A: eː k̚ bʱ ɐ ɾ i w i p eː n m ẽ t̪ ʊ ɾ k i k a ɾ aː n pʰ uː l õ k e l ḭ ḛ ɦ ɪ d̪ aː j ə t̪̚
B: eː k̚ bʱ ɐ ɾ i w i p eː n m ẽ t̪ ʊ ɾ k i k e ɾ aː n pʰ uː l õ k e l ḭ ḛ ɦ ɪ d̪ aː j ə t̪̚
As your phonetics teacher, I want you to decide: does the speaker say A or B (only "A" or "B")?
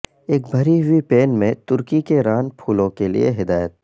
B